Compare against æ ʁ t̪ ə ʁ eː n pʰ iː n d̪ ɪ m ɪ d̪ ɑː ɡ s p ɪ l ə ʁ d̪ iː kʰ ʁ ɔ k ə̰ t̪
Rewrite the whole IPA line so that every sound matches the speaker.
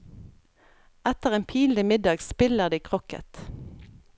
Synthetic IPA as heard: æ t̪ ə ʁ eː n pʰ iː n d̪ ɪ m ɪ d̪ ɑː ɡ s p ɪ l ə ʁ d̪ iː kʰ ʁ ɔ k ə̰ t̪